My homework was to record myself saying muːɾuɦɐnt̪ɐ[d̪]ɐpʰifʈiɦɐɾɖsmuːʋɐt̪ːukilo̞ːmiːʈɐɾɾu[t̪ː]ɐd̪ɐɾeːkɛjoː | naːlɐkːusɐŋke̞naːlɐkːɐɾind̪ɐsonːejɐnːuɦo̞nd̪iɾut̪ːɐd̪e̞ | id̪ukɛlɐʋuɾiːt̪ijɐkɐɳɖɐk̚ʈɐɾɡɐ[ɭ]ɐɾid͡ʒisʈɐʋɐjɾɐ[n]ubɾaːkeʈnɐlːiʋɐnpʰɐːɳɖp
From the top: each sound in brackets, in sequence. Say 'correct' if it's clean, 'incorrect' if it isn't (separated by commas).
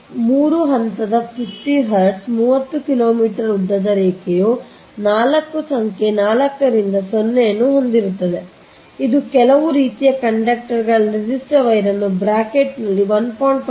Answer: correct, incorrect, correct, incorrect